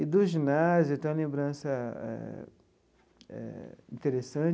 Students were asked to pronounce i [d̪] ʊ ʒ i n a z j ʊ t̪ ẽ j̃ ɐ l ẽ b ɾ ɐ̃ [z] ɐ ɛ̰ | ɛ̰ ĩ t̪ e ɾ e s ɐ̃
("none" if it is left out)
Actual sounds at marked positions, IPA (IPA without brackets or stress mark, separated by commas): d̪, s